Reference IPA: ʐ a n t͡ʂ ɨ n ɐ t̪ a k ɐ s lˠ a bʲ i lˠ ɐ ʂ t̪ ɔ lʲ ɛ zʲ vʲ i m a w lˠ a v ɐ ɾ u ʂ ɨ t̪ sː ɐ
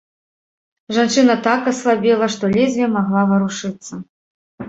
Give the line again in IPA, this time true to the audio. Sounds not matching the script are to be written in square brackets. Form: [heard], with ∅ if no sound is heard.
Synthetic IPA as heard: ʐ a n t͡ʂ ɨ n ɐ t̪ a k ɐ s lˠ a bʲ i lˠ ɐ ʂ t̪ ɔ lʲ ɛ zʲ vʲ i m a [ɣ] lˠ a v ɐ ɾ u ʂ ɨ t̪ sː ɐ

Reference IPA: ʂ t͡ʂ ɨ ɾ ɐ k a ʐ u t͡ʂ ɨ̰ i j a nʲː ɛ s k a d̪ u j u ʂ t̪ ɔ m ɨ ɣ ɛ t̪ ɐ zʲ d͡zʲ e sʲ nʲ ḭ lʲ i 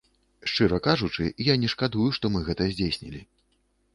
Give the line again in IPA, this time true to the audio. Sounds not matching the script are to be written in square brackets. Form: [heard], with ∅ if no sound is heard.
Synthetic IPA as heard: ʂ t͡ʂ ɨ ɾ ɐ k a ʐ u t͡ʂ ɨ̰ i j a [nʲ] ɛ [ʂ] k a d̪ u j u ʂ t̪ ɔ m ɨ ɣ ɛ t̪ ɐ zʲ d͡zʲ e sʲ nʲ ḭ lʲ i

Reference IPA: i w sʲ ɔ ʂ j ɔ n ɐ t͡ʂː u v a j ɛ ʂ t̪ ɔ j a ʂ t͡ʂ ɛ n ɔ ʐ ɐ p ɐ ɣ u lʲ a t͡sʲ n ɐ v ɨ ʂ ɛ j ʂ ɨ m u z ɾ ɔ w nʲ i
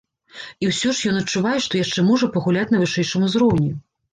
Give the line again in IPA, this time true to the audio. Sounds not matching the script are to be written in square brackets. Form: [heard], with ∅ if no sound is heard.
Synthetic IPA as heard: i w sʲ ɔ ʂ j ɔ n ɐ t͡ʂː u v a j ɛ ʂ t̪ ɔ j a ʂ t͡ʂ ɛ [m] ɔ ʐ ɐ p ɐ ɣ u lʲ a t͡sʲ n ɐ v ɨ ʂ ɛ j ʂ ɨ m u z ɾ ɔ w nʲ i

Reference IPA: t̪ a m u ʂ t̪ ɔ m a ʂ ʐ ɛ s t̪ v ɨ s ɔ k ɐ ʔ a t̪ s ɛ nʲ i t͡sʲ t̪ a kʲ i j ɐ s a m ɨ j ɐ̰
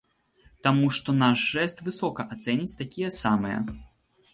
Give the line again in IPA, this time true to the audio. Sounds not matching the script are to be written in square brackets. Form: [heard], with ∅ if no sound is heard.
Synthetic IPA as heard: t̪ a m u ʂ t̪ ɔ [n] a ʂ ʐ ɛ s t̪ v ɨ s ɔ k ɐ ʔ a t̪ s ɛ nʲ i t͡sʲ t̪ a kʲ i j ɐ s a m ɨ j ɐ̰

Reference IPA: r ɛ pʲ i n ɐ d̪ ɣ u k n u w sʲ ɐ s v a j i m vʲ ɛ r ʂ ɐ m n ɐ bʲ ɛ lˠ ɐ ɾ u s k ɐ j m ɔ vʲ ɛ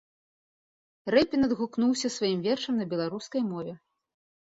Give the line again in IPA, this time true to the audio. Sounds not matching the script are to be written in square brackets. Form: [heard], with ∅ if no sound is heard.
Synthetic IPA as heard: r ɛ pʲ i n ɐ d̪ ɣ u k n u w sʲ ɐ s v a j i m vʲ ɛ r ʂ ɐ m n ɐ bʲ ɛ lˠ [a] ɾ u s k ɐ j m ɔ vʲ ɛ

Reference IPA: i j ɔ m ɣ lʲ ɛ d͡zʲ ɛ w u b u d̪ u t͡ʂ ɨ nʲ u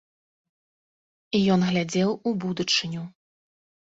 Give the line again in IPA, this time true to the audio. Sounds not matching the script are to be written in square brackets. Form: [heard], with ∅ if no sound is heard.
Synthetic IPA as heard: i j ɔ [n] ɣ lʲ [a] d͡zʲ ɛ w u b u d̪ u t͡ʂ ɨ nʲ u

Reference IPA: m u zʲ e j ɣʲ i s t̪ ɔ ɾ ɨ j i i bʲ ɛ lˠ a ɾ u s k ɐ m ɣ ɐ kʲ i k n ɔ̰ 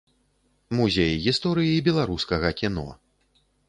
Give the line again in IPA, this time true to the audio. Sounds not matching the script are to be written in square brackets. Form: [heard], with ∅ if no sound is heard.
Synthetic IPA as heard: m u zʲ e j ɣʲ i s t̪ ɔ ɾ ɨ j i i bʲ ɛ lˠ a ɾ u s k ɐ [∅] ɣ ɐ kʲ i [∅] n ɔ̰

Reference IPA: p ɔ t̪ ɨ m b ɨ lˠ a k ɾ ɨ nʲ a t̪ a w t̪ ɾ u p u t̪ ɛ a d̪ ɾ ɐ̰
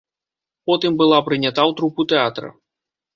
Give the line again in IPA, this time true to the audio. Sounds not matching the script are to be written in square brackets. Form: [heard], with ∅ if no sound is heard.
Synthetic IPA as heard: p ɔ t̪ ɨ m b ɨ lˠ a [p] ɾ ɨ nʲ a t̪ a w t̪ ɾ u p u t̪ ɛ a [t̪] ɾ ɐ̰

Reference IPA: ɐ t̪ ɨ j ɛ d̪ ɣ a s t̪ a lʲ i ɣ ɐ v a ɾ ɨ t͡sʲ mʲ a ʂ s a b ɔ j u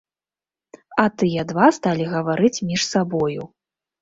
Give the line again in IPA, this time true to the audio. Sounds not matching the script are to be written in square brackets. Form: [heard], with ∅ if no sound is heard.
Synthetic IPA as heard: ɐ t̪ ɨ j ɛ d̪ [v] a s t̪ a lʲ i ɣ ɐ v a ɾ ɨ t͡sʲ mʲ [i] ʂ s a b ɔ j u

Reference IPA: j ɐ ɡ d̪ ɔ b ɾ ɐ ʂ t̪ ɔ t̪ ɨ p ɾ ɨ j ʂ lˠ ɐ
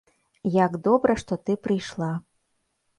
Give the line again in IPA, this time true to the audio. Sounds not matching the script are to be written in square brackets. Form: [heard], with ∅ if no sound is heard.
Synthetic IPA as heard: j [a] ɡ d̪ ɔ b ɾ ɐ ʂ t̪ ɔ t̪ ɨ p ɾ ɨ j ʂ lˠ [a]

